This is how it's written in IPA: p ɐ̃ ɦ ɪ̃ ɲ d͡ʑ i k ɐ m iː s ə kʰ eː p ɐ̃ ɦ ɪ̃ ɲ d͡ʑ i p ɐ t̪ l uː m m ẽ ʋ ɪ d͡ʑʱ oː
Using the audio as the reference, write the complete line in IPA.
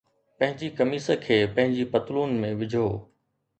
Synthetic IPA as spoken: p ɐ̃ ɦ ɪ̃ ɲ d͡ʑ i k ɐ m iː s ə kʰ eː p ɐ̃ ɦ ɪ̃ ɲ d͡ʑ i p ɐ t̪ l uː n m ẽ ʋ ɪ d͡ʑʱ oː